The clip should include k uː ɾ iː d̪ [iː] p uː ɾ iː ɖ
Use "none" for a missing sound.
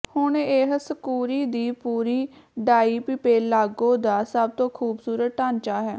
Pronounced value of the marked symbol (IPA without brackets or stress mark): iː